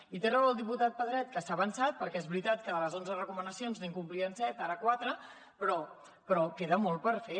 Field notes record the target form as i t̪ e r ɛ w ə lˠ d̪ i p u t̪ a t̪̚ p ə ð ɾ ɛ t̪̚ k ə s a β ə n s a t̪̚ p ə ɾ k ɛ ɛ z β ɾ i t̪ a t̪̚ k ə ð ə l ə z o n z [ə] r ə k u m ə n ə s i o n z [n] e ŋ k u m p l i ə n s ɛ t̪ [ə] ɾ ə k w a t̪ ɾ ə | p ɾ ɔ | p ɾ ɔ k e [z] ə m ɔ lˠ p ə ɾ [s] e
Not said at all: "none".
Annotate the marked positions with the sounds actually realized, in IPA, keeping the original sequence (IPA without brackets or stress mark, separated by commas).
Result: ə, n, a, ð, f